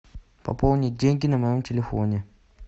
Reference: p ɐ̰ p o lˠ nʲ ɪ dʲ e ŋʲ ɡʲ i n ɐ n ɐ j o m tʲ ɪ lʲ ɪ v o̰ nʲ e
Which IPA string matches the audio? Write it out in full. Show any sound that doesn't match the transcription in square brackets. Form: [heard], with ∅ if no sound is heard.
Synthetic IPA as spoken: p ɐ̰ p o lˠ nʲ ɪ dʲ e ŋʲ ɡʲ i n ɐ [m] ɐ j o m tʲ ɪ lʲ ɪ [f] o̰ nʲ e